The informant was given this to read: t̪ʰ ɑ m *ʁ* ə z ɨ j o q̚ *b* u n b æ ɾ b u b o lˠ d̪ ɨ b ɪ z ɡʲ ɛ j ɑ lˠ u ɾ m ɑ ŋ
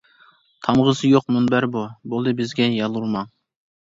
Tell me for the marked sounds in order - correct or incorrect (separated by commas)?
correct, incorrect